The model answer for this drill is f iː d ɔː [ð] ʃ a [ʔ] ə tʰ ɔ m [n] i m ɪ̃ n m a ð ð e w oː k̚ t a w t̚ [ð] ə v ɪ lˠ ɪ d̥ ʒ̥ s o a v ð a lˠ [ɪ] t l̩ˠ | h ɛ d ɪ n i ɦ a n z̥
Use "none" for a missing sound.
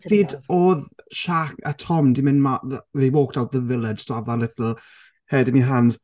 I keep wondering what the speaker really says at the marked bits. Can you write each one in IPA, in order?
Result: ð, k, d, ð, ɪ

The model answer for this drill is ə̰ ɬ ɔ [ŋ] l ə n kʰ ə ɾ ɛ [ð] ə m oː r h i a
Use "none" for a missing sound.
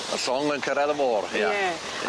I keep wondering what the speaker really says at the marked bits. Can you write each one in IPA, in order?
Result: ŋ, ð

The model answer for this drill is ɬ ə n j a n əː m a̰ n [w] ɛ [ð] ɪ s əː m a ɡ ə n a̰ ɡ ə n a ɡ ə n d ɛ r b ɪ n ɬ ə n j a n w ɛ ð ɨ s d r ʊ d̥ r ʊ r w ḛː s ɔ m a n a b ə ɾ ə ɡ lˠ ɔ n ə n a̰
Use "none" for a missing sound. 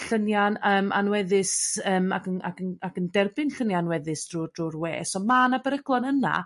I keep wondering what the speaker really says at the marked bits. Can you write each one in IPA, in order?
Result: w, ð

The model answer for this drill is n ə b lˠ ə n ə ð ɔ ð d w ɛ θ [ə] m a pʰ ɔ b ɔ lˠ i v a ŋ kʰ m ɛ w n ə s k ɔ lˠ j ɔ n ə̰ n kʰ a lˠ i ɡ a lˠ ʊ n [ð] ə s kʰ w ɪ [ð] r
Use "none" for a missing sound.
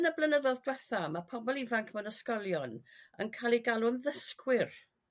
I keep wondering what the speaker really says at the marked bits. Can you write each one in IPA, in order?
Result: a, ð, none

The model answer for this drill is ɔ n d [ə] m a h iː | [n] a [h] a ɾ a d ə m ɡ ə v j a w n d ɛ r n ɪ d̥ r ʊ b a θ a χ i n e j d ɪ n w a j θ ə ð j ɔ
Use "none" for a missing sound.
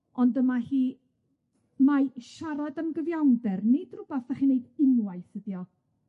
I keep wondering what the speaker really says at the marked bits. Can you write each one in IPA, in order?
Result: ə, m, ʃ

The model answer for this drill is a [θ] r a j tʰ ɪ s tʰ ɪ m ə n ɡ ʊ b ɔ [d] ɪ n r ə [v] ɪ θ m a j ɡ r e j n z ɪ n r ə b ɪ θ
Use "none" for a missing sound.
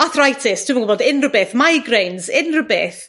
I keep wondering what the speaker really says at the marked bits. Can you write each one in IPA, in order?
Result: θ, d, b

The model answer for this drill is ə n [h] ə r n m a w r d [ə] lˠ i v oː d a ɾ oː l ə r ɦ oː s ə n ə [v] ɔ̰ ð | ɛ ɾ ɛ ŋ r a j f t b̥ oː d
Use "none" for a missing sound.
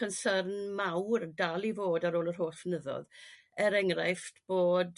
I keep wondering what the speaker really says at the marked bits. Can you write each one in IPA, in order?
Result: s, a, ð

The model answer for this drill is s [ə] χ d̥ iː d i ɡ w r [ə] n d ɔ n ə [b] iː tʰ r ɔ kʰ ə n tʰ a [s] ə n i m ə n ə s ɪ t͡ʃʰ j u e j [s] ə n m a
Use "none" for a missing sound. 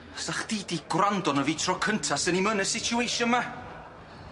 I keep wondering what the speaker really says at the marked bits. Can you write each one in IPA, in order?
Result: a, a, v, s, ʃ

